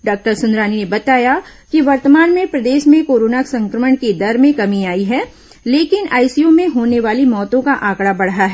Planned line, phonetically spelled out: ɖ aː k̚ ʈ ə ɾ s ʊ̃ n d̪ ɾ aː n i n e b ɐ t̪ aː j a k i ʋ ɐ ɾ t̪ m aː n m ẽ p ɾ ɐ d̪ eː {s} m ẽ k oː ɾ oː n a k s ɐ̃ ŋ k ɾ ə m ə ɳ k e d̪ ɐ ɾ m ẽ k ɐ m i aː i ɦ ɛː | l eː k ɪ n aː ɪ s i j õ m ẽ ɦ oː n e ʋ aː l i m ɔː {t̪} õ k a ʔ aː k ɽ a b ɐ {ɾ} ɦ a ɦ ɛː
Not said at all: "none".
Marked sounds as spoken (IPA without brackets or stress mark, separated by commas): ʃ, t̪, ɽ